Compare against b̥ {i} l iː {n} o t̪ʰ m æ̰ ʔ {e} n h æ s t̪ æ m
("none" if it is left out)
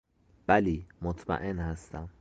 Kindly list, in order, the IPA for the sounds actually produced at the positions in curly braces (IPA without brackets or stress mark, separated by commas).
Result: æ, m, e